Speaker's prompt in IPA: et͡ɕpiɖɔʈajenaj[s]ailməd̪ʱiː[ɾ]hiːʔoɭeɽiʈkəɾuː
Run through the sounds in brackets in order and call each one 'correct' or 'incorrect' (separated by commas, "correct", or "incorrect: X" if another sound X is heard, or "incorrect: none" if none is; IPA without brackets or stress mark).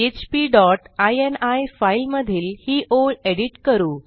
incorrect: f, incorrect: l